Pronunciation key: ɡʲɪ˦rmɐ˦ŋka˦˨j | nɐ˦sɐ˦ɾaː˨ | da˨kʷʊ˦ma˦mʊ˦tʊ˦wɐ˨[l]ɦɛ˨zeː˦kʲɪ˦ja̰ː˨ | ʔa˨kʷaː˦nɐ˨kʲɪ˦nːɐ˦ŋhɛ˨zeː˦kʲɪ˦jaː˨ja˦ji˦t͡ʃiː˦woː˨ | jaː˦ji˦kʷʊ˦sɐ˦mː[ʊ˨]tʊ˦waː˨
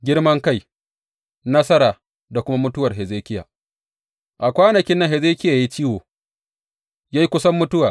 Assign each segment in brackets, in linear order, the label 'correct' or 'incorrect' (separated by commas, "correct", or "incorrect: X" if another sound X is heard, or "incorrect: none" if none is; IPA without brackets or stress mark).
incorrect: r, incorrect: ʊ˦